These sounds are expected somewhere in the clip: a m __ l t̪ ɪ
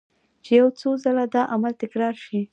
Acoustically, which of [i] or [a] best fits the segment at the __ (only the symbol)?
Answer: a